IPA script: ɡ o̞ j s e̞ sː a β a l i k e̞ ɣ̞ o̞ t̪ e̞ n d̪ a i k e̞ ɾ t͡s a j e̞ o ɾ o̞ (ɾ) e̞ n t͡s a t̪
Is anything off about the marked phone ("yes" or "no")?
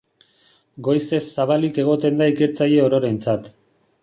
no